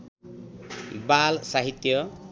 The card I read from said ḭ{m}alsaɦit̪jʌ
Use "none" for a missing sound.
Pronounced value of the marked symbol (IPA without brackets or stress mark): b